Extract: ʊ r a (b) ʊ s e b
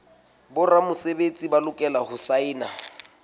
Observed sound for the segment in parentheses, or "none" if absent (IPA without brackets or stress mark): m